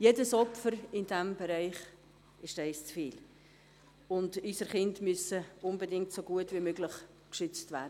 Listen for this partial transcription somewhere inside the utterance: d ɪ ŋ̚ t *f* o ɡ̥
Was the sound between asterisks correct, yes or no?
no